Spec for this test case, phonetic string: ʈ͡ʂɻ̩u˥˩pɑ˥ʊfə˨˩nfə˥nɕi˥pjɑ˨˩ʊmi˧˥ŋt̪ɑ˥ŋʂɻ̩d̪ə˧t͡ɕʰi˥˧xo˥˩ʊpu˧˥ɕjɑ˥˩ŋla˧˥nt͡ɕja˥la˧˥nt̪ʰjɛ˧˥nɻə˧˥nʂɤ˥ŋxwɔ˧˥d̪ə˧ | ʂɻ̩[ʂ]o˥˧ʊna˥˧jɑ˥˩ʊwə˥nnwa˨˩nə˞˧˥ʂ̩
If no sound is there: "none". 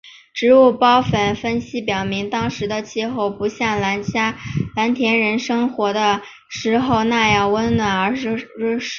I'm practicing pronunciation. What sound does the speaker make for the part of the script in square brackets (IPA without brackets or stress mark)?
x